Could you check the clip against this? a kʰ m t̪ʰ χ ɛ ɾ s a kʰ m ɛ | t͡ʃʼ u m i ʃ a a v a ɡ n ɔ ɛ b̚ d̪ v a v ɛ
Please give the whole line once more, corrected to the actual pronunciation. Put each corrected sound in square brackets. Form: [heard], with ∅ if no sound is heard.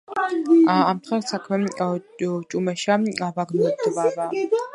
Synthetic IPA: a [∅] m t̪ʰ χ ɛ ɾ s a kʰ m ɛ | t͡ʃʼ u m [ɛ] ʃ a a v a ɡ n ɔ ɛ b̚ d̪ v a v [a]